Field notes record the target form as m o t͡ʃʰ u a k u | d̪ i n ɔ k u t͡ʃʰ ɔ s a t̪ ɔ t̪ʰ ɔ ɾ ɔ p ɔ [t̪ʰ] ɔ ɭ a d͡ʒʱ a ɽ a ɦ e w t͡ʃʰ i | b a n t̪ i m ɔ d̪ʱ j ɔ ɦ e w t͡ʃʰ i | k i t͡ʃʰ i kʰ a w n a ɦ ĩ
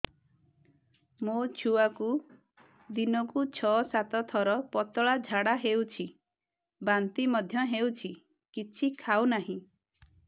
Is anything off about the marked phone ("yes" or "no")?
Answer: yes